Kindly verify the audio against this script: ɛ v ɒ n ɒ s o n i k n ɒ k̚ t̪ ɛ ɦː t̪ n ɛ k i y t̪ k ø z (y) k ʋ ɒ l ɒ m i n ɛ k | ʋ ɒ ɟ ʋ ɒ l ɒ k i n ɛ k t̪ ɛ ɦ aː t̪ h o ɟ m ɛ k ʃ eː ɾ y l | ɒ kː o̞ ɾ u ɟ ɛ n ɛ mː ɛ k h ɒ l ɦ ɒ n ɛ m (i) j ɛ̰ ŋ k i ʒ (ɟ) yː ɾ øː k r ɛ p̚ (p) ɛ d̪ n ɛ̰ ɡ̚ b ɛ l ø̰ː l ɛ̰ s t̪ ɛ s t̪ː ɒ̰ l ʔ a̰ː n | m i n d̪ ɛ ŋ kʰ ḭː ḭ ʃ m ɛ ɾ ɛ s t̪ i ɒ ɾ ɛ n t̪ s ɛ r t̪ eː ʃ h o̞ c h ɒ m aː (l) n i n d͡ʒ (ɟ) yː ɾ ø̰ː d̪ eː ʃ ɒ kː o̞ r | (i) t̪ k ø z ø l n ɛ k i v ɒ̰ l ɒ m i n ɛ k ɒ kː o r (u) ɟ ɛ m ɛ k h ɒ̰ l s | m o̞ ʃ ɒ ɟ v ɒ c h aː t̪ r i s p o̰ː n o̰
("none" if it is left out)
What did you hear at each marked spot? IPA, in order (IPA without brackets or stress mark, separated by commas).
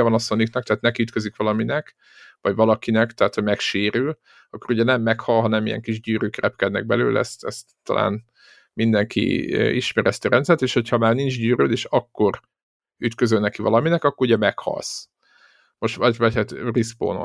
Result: i, i, ɟ, k, r, ɟ, y, u